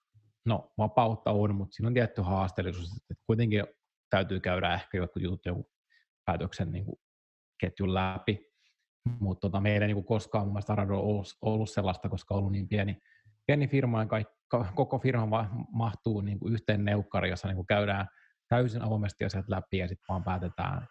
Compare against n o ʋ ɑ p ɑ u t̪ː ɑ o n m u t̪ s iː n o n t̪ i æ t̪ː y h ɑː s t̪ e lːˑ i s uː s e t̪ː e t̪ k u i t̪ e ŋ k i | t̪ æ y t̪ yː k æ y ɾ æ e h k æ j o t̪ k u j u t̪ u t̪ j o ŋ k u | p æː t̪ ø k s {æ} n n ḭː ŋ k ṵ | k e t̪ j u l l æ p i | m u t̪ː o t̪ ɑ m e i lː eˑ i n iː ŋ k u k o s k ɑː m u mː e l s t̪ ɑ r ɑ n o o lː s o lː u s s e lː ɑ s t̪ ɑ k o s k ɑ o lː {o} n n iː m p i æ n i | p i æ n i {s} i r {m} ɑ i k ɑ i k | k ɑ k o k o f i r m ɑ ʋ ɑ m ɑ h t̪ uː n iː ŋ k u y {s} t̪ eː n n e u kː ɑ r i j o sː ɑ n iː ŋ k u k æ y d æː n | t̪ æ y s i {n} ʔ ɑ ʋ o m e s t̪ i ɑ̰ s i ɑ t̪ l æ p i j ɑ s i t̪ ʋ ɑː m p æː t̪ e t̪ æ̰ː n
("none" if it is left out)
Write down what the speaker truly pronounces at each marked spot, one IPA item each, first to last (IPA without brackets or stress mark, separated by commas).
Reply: e, u, f, m, h, n